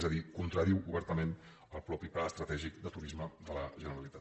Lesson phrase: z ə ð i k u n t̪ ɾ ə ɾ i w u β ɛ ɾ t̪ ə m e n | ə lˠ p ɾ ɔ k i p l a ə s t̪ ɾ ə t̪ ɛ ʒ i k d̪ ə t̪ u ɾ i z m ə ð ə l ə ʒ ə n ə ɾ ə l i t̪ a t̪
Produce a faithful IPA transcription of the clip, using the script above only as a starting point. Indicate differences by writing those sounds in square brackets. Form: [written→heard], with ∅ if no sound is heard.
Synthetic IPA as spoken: z ə ð i k u n t̪ ɾ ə ɾ i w u β ɛ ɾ t̪ ə m e n | ə lˠ p ɾ ɔ [k→p] i p l a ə s t̪ ɾ ə t̪ ɛ ʒ i k d̪ ə t̪ u ɾ i z m ə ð ə l ə ʒ ə n ə ɾ ə l i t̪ a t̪